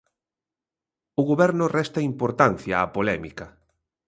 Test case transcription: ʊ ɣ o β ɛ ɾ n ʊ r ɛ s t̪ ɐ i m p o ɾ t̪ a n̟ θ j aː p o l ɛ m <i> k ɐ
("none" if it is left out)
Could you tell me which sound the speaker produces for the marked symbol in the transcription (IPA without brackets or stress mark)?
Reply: i